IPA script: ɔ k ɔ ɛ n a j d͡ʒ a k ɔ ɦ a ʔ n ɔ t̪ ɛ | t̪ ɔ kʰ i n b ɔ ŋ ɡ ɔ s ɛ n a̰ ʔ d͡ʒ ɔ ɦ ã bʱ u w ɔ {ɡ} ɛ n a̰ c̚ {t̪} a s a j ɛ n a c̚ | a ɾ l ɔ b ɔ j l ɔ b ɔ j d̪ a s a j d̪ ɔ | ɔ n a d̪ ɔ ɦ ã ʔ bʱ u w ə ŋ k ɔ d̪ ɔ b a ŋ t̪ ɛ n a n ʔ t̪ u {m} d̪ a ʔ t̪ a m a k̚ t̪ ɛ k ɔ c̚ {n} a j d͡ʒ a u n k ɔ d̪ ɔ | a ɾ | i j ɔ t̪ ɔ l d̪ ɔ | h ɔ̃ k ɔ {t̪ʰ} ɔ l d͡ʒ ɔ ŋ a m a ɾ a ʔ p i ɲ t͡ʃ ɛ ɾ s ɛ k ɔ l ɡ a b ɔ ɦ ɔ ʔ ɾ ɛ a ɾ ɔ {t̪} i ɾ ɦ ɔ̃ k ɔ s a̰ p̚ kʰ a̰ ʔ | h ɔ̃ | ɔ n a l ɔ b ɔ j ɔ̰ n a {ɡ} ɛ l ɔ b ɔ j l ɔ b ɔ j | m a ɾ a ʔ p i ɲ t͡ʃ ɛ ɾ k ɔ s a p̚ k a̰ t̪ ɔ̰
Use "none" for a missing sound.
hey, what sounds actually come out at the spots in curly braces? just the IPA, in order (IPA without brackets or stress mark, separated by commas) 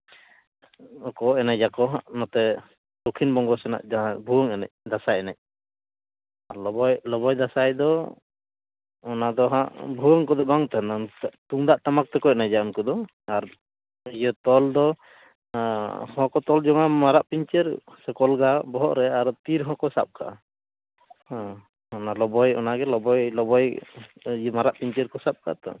ŋ, d̪, ŋ, n, t̪, t̪, ɡ